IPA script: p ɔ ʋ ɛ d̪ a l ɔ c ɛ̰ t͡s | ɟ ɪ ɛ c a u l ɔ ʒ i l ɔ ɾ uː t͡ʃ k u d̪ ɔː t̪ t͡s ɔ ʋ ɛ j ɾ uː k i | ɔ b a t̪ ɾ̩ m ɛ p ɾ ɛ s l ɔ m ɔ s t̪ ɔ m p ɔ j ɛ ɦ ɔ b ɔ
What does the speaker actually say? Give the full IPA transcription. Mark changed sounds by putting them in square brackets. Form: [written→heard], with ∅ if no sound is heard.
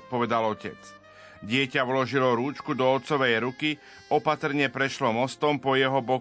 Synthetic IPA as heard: p ɔ ʋ ɛ d̪ a l ɔ c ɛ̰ t͡s | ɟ ɪ ɛ c a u l ɔ ʒ i l ɔ ɾ uː t͡ʃ k u d̪ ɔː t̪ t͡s ɔ ʋ ɛ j ɾ [uː→u] k i | ɔ [b→p] a t̪ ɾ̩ [m→ɲ] ɛ p ɾ ɛ [s→ʃ] l ɔ m ɔ s t̪ ɔ m p ɔ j ɛ ɦ ɔ b ɔ